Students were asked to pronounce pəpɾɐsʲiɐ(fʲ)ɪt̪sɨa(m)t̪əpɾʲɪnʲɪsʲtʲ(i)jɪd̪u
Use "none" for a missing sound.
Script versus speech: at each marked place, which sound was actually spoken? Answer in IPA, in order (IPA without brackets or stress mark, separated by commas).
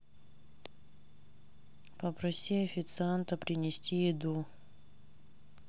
fʲ, n, i